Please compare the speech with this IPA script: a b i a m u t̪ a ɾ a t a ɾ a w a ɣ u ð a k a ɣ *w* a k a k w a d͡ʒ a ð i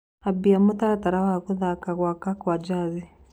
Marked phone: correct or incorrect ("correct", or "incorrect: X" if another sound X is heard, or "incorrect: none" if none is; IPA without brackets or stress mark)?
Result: correct